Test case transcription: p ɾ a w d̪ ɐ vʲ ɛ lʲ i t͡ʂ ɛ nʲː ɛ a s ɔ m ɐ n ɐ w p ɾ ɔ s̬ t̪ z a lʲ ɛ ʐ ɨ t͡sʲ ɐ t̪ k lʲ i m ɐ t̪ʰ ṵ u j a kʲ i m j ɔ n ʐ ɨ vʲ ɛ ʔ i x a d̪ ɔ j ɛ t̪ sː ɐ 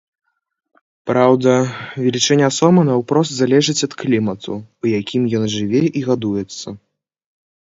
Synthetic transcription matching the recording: p ɾ a w d̪ ɐ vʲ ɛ lʲ i t͡ʂ ɛ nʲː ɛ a s ɔ m ɐ n ɐ w p ɾ ɔ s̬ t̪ z a lʲ ɛ ʐ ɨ t͡sʲ ɐ t̪ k lʲ i m ɐ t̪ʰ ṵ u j a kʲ i m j ɔ n ʐ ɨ vʲ ɛ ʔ i ɣ a d̪ u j ɛ t̪ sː ɐ

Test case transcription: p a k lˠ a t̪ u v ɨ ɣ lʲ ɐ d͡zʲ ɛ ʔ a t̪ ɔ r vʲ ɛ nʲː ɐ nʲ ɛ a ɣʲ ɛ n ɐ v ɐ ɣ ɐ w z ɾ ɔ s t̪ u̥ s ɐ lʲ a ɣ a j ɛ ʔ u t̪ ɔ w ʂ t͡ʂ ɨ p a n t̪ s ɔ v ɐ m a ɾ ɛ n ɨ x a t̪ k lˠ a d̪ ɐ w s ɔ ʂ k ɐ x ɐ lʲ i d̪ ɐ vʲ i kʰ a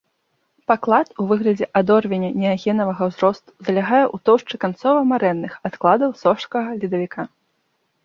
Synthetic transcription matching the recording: p a k lˠ a t̪ u v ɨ ɣ lʲ ɐ d͡zʲ ɛ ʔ a d̪ ɔ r vʲ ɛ nʲ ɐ nʲ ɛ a ɣʲ ɛ n ɐ v ɐ ɣ ɐ w z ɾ ɔ s t̪ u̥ z ɐ lʲ a ɣ a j ɛ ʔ u t̪ ɔ w ʂ t͡ʂ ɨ k a n t̪ s ɔ v ɐ m a ɾ ɛ nː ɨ x a t̪ k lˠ a d̪ ɐ w s ɔ ʂ k ɐ ɣ ɐ lʲ i d̪ ɐ vʲ i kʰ a

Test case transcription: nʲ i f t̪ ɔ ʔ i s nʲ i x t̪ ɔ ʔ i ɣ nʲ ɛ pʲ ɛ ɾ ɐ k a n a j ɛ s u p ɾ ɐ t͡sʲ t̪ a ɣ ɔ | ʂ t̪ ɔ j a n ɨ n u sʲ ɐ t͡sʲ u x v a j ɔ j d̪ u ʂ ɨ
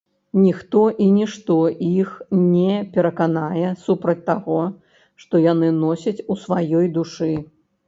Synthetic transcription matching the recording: nʲ i x t̪ ɔ ʔ i nʲ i ʂ t̪ ɔ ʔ i x nʲ ɛ pʲ ɛ ɾ ɐ k a n a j ɛ s u p ɾ ɐ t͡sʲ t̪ a ɣ ɔ | ʂ t̪ ɔ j a n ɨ n ɔ sʲ ɐ t͡sʲ u s v a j ɔ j d̪ u ʂ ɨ

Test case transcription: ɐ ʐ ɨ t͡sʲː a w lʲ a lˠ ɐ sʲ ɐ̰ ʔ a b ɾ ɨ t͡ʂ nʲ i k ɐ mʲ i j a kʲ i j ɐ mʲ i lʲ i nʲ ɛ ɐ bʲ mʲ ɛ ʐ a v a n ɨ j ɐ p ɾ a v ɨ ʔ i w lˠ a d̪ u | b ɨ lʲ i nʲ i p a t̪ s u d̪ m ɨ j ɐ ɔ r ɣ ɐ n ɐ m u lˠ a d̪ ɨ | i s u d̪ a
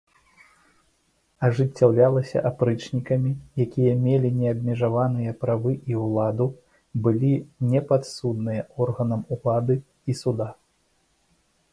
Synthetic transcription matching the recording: ɐ ʐ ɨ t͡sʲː a w lʲ a lˠ ɐ sʲ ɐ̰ ʔ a p ɾ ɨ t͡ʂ nʲ i k ɐ mʲ i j a kʲ i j ɐ mʲ e lʲ i nʲ ɛ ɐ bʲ mʲ ɛ ʐ a v a n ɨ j ɐ p ɾ a v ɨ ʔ i w lˠ a d̪ u | b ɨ lʲ i nʲ ɛ p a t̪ s u d̪ n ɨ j ɐ ɔ r ɣ ɐ n ɐ m u lˠ a d̪ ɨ | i s u d̪ a

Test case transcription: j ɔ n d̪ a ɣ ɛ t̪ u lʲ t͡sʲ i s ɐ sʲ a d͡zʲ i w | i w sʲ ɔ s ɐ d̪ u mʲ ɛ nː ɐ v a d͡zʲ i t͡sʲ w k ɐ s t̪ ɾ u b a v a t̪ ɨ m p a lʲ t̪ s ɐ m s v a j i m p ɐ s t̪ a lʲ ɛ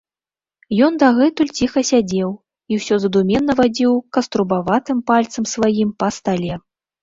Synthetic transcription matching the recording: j ɔ n d̪ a ɣ ɛ t̪ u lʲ t͡sʲ i x ɐ sʲ a d͡zʲ ɛ w | i w sʲ ɔ z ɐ d̪ u mʲ ɛ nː ɐ v a d͡zʲ i w k ɐ s t̪ ɾ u b a v a t̪ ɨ m p a lʲ t̪ s ɐ m s v a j i m p ɐ s t̪ a lʲ ɛ

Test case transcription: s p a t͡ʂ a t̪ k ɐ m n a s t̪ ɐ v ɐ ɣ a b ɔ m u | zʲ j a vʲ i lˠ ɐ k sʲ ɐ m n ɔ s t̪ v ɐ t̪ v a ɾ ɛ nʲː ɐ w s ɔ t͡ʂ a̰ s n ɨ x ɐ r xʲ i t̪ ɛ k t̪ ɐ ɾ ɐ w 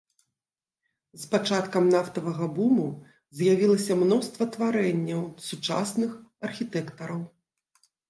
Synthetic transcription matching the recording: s p a t͡ʂ a t̪ k ɐ m n a f t̪ ɐ v ɐ ɣ ɐ b u m u | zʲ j a vʲ i lˠ ɐ sʲ ɐ m n ɔ s t̪ v ɐ t̪ v a ɾ ɛ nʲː ɐ w s u t͡ʂ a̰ s n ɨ x ɐ r xʲ i t̪ ɛ k t̪ ɐ ɾ ɐ w

